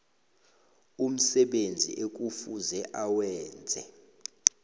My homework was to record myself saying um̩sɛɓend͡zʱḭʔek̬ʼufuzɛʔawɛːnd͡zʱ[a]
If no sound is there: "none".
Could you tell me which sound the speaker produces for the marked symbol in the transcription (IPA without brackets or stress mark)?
ɛ